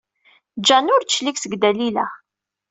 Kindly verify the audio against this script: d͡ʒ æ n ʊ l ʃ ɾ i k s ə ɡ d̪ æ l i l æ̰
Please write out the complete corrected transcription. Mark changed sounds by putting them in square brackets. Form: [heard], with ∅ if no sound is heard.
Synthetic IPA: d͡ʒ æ n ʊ [ɾ] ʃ [l] i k s ə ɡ d̪ æ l i l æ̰